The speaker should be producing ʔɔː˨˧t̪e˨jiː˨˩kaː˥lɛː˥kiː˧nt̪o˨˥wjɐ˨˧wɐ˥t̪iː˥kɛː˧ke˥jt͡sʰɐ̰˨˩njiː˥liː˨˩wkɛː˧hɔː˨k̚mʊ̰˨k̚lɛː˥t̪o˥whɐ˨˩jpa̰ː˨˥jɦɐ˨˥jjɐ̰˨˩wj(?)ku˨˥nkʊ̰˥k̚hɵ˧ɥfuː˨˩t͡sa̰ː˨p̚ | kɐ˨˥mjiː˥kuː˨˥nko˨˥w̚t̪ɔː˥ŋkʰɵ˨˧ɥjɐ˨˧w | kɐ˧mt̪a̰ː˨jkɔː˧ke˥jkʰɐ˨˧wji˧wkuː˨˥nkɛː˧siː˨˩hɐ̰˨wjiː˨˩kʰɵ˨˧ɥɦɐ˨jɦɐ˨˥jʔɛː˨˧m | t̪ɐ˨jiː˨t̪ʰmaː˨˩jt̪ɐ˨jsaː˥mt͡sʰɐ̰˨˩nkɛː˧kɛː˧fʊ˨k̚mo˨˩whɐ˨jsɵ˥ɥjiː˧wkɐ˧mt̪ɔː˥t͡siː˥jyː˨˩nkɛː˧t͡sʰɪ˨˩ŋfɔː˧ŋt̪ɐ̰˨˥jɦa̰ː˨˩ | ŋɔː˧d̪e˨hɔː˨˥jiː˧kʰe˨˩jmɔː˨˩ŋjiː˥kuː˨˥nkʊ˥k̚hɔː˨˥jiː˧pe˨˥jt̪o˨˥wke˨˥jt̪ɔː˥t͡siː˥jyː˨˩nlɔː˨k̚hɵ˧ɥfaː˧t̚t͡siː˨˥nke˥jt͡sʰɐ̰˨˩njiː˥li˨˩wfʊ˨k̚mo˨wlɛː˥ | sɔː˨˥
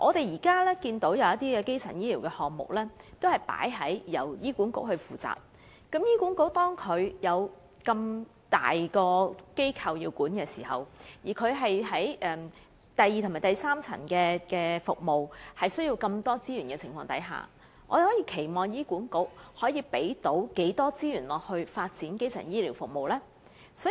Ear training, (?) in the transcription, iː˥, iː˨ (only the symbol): iː˥